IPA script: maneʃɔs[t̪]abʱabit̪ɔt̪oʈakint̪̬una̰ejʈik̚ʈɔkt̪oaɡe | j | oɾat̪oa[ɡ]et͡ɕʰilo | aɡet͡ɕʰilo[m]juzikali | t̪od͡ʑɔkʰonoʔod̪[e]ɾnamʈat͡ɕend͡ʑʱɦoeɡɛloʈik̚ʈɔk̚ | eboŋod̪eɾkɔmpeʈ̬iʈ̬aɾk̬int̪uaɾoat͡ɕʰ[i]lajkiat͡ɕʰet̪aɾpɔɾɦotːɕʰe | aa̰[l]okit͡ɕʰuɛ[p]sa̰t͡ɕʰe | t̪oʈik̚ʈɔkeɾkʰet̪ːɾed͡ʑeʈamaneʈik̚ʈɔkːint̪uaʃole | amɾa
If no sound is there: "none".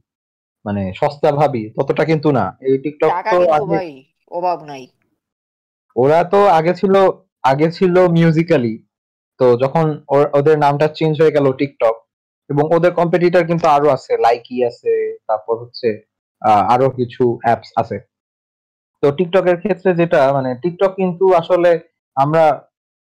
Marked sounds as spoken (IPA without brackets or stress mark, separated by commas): t̪, ɡ, m, e, e, ɾ, p